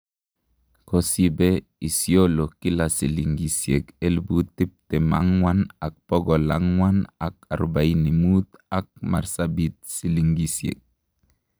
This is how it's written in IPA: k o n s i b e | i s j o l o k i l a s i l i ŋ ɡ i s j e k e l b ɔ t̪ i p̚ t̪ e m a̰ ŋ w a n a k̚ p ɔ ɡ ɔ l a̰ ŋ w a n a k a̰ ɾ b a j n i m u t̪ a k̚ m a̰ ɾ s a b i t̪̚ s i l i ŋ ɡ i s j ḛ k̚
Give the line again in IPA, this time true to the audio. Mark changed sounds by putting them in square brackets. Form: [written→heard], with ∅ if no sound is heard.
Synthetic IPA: k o [n→∅] s i b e | i s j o l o k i l a s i l i ŋ ɡ i s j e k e l b [ɔ→u] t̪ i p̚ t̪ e m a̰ ŋ w a n a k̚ p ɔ ɡ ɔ l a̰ ŋ w a n a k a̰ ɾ b a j n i m u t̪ a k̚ m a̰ ɾ s a b i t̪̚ s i l i ŋ ɡ i s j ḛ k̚